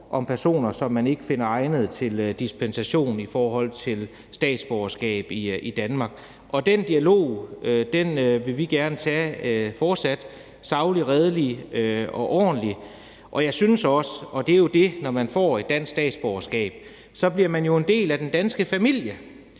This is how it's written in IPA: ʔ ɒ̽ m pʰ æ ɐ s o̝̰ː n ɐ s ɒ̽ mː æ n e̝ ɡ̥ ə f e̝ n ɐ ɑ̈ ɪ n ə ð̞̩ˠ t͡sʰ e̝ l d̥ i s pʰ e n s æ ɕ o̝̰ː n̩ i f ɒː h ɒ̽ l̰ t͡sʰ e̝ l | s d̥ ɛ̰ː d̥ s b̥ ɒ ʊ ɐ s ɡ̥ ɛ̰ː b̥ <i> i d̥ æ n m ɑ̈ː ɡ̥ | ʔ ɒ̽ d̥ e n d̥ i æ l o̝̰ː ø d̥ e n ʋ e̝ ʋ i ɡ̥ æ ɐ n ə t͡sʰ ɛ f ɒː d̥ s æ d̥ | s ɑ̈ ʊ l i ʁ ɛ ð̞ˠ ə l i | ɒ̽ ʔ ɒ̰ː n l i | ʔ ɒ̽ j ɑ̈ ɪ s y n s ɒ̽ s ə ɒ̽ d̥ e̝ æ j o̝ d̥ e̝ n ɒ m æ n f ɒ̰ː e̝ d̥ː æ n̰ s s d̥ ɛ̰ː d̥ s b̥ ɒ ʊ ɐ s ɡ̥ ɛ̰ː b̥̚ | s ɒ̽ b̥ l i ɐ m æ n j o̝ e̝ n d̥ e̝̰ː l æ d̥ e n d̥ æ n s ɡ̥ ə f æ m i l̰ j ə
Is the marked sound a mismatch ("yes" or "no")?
no